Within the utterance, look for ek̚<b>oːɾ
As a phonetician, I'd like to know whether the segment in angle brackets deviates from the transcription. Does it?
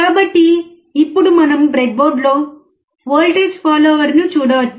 no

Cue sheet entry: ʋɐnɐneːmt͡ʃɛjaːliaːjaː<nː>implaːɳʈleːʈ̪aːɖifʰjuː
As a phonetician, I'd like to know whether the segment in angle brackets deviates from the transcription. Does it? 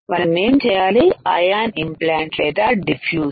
yes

